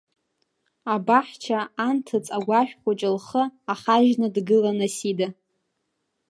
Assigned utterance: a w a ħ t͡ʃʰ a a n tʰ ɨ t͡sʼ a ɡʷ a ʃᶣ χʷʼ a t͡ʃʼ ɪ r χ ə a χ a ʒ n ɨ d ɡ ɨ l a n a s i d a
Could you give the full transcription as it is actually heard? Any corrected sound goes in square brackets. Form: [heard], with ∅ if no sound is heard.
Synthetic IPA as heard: a [b] a ħ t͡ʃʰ a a n tʰ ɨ t͡sʼ a ɡʷ a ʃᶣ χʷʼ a t͡ʃʼ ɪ [l] χ ə a χ a ʒ n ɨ d ɡ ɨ l a n a s i d a